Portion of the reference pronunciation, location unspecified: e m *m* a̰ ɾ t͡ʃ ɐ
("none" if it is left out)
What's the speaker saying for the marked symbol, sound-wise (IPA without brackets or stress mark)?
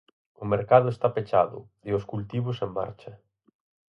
b